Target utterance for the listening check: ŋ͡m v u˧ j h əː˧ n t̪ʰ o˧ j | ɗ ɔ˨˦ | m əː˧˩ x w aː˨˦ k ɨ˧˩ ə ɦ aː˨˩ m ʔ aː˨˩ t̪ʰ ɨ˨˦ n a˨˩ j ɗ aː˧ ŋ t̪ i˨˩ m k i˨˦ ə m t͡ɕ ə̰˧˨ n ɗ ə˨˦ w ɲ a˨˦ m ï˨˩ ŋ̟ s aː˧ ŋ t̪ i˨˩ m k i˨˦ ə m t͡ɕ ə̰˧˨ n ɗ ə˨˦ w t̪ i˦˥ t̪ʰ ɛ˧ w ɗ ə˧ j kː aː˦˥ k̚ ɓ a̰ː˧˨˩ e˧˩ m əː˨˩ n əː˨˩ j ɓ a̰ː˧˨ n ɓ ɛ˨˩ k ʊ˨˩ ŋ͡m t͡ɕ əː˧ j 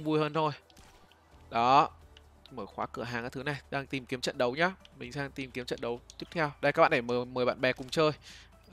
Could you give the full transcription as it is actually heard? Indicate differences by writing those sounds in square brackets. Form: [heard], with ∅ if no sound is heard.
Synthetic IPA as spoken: ŋ͡m v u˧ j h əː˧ n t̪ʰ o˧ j | ɗ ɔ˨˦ | m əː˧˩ x w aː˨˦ k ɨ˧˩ ə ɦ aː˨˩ [ŋ] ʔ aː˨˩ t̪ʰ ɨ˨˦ n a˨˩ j ɗ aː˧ ŋ t̪ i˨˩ m k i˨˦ ə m t͡ɕ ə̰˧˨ n ɗ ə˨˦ w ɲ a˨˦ m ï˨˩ ŋ̟ s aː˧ ŋ t̪ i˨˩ m k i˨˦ ə m t͡ɕ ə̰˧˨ n ɗ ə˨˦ w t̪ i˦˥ t̪ʰ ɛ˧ w ɗ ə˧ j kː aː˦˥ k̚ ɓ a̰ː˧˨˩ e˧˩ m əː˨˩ [m] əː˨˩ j ɓ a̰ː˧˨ n ɓ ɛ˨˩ k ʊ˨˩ ŋ͡m t͡ɕ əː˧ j